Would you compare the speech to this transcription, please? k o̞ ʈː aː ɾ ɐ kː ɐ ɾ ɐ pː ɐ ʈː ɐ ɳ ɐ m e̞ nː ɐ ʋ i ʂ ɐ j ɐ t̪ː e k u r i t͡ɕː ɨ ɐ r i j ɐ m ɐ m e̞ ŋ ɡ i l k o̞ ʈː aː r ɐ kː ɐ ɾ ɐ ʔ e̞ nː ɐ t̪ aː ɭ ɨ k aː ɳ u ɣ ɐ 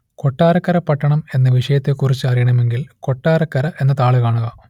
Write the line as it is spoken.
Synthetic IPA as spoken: k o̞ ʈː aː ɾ ɐ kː ɐ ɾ ɐ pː ɐ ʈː ɐ ɳ ɐ m e̞ nː ɐ ʋ i ʂ ɐ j ɐ t̪ː e k u r i t͡ɕː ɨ ɐ r i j ɐ ɳ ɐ m e̞ ŋ ɡ i l k o̞ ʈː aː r ɐ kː ɐ ɾ ɐ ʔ e̞ nː ɐ t̪ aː ɭ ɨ k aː ɳ u ɣ ɐ